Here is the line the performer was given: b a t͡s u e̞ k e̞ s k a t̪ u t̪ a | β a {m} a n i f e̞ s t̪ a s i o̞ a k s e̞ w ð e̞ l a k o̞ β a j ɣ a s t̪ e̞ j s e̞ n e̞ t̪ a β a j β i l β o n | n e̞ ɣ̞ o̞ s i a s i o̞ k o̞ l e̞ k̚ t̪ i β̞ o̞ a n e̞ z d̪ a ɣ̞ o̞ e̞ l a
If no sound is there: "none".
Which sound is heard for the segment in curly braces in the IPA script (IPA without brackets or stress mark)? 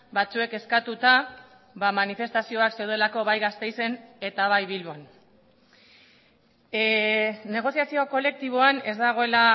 m